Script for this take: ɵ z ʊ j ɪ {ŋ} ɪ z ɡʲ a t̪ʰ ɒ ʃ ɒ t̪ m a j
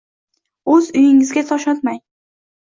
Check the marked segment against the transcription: correct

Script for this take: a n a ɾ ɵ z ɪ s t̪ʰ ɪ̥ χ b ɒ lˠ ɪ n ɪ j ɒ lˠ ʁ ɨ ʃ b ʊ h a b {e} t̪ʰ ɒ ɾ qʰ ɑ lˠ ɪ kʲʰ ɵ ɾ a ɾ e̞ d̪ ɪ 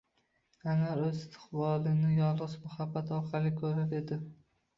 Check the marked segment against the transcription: incorrect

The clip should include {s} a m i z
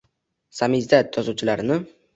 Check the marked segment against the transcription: correct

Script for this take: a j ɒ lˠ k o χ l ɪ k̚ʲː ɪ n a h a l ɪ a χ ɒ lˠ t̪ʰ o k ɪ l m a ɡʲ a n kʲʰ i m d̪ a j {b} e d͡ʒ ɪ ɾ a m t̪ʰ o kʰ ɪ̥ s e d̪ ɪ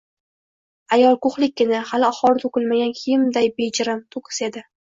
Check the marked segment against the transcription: correct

